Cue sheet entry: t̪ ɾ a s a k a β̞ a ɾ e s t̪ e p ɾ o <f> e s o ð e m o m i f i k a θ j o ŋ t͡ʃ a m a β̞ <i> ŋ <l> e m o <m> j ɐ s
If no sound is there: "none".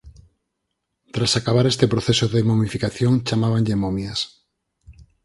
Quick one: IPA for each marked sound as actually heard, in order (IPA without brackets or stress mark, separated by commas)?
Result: θ, a, ʎ, m